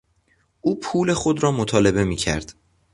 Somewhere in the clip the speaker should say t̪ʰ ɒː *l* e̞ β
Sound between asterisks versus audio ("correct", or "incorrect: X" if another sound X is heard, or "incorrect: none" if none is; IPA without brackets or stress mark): correct